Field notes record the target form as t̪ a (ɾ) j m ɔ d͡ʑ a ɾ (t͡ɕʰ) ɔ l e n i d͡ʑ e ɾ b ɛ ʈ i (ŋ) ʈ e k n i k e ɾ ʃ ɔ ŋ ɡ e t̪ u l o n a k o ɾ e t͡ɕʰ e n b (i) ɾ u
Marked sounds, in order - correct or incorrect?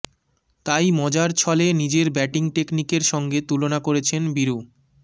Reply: incorrect, correct, correct, correct

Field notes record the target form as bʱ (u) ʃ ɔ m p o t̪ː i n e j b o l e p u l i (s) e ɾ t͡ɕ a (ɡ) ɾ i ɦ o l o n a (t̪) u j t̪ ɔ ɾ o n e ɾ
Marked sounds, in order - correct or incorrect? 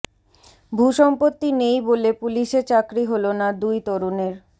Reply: correct, incorrect, incorrect, incorrect

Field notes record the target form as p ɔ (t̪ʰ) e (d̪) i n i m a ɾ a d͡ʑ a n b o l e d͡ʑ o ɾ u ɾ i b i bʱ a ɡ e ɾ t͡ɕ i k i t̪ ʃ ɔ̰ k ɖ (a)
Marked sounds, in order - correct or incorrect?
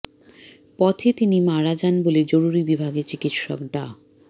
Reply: correct, incorrect, correct

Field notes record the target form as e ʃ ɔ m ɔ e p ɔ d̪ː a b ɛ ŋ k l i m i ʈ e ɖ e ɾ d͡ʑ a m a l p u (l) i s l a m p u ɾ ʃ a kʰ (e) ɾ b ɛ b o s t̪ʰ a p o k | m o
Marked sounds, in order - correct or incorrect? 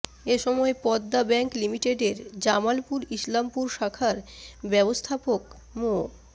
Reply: incorrect, incorrect

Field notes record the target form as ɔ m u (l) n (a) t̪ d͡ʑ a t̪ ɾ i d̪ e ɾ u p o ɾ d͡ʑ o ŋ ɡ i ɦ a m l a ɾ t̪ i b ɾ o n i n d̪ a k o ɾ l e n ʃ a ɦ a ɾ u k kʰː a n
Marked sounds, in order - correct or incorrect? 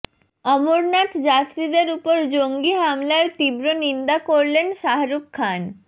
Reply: incorrect, correct

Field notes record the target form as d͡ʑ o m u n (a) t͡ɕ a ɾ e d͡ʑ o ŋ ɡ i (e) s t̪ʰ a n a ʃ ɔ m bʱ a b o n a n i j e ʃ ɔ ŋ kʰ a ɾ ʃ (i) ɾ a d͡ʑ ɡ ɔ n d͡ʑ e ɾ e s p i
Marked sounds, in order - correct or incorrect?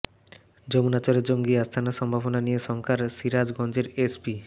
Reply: correct, incorrect, correct

